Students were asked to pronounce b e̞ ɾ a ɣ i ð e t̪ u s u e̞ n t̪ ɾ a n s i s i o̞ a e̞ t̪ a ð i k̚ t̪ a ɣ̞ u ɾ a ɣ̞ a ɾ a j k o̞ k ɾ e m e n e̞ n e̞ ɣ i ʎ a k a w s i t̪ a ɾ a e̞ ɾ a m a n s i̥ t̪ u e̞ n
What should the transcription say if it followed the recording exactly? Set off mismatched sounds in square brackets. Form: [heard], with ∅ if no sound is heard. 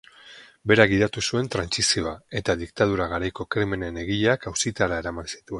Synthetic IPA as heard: b e̞ ɾ a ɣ i ð [a] t̪ u s u e̞ n t̪ ɾ a n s i s i o̞ a e̞ t̪ a ð i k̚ t̪ a [ð̞] u ɾ a ɣ̞ a ɾ a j k o̞ k ɾ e m e n e̞ n e̞ ɣ i ʎ a k a w s i t̪ a ɾ a e̞ ɾ a m a n s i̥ t̪ u e̞ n

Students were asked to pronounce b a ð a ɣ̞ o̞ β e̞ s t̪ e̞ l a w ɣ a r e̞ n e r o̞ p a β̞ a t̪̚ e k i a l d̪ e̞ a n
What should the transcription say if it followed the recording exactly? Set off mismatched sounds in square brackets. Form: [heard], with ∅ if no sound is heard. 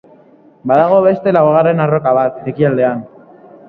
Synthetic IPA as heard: b a ð a ɣ̞ o̞ β e̞ s t̪ e̞ l a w ɣ a r e̞ n [a] r o̞ [k] a β̞ a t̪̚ e k i a l d̪ e̞ a n

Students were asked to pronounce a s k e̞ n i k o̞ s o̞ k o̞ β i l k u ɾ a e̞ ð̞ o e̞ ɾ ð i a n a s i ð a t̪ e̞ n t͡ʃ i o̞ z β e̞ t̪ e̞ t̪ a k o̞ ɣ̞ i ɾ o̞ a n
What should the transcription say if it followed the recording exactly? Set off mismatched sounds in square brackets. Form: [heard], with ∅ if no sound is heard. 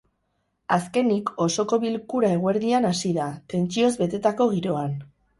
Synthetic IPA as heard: a s k e̞ n i k o̞ s o̞ k o̞ β i l k u ɾ a e̞ [ɣ̞] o e̞ ɾ ð i a n a s i ð a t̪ e̞ n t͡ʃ i o̞ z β e̞ t̪ e̞ t̪ a k o̞ ɣ̞ i ɾ o̞ a n

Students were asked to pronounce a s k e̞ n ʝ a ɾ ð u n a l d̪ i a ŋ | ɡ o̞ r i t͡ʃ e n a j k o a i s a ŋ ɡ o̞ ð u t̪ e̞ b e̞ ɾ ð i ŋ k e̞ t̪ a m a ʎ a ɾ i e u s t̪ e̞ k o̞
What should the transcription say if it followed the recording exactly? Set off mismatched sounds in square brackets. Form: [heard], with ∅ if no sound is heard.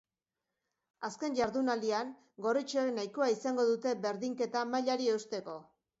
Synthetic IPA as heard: a s k e̞ n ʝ a ɾ ð u n a l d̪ i a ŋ | ɡ o̞ r i t͡ʃ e n a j k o a i s a ŋ ɡ o̞ ð u t̪ e̞ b e̞ ɾ ð i ŋ k e̞ t̪ a m a ʎ a ɾ i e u s t̪ e̞ k o̞

